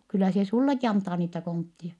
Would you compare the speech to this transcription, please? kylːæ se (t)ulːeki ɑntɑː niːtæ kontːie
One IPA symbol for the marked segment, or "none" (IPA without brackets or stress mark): s